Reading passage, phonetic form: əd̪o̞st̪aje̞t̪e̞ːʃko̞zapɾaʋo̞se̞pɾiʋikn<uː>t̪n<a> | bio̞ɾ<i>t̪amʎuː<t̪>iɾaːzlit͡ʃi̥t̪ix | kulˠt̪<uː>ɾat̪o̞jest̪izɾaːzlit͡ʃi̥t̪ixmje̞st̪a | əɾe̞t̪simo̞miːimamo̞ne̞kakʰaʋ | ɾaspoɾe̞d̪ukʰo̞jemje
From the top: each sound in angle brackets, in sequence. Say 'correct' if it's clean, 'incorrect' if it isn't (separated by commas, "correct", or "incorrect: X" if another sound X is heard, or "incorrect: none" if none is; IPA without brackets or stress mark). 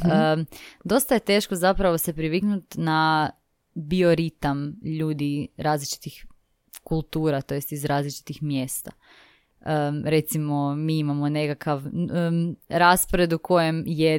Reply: incorrect: u, correct, correct, incorrect: d̪, correct